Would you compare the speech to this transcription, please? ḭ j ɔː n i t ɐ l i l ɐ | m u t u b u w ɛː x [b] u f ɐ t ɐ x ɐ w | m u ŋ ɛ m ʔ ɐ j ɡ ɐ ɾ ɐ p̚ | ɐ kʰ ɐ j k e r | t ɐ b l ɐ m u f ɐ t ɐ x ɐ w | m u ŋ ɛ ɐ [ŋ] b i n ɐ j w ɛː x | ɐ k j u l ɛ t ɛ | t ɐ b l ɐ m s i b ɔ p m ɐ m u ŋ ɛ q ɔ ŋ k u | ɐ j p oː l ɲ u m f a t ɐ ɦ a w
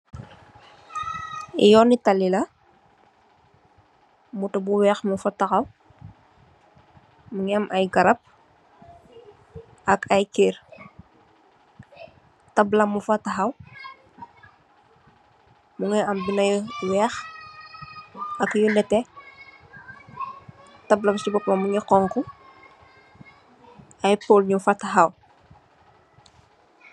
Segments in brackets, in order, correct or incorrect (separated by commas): incorrect, incorrect